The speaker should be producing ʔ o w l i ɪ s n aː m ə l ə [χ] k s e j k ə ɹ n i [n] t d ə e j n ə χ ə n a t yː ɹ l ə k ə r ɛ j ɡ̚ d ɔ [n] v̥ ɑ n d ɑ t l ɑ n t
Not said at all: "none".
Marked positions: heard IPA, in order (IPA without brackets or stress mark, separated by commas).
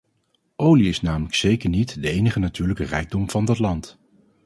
none, none, m